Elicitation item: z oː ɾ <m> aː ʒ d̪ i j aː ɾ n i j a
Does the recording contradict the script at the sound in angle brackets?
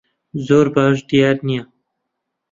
yes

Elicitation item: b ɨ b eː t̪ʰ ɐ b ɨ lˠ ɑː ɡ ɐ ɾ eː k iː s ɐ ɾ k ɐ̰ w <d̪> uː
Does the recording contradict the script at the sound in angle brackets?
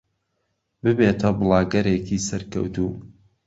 yes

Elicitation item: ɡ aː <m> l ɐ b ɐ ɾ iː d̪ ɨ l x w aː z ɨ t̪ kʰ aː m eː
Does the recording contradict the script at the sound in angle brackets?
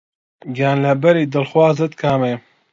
yes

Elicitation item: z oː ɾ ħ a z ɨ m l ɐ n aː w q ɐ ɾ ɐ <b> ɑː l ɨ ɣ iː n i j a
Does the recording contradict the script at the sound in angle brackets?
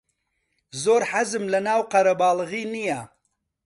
no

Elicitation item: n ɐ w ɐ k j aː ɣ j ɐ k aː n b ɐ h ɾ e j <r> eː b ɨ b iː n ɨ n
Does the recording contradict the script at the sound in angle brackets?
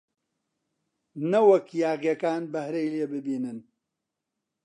yes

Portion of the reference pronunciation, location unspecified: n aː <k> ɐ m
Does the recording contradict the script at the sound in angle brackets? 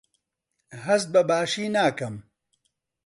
no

